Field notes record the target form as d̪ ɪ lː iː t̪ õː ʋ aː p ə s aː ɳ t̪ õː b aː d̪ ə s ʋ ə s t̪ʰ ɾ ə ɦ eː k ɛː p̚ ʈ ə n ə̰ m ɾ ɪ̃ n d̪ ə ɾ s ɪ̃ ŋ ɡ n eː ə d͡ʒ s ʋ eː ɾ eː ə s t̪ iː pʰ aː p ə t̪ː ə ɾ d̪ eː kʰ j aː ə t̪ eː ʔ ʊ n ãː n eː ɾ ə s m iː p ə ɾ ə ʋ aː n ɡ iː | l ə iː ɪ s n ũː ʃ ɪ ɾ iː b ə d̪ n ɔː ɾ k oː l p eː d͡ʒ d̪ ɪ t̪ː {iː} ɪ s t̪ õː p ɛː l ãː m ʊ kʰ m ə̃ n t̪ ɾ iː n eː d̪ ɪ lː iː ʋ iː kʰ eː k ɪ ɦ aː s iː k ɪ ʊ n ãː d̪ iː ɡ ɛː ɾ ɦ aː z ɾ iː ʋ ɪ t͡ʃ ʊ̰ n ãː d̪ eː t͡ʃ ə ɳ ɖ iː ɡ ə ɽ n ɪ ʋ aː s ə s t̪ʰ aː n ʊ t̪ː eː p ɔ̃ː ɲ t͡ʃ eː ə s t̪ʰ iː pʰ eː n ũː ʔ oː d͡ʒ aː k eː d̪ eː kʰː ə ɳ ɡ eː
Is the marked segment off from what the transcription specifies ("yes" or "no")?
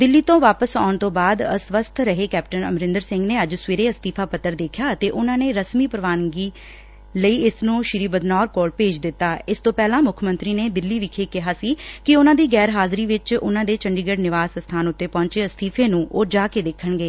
yes